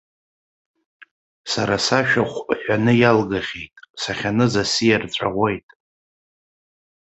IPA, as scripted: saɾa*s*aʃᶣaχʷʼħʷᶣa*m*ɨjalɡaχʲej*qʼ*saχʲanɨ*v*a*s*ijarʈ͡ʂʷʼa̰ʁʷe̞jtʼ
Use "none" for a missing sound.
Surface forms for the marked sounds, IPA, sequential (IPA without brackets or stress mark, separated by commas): s, n, tʼ, z, s